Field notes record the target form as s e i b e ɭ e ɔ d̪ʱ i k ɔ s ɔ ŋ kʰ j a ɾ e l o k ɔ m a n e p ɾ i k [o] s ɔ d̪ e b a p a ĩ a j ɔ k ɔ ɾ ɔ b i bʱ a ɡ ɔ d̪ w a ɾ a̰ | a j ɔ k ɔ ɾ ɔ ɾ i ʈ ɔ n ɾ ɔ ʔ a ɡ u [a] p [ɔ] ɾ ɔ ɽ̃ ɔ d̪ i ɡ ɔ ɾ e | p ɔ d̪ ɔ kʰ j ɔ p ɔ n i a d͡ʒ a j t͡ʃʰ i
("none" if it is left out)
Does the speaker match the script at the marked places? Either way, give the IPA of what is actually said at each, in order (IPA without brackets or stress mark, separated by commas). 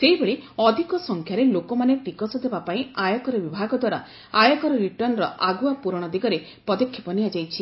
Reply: ɔ, a, u